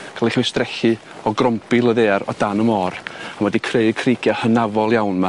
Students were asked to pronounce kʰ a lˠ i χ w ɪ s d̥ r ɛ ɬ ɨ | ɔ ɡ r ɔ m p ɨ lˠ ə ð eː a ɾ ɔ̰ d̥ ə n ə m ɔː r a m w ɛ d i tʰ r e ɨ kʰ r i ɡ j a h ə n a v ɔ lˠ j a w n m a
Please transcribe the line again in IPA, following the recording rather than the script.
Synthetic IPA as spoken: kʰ a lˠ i χ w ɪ s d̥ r ɛ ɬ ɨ | ɔ ɡ r ɔ m p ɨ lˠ ə ð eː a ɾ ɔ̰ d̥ a n ə m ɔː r a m w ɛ d i kʰ r e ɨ kʰ r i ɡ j a h ə n a v ɔ lˠ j a w n m a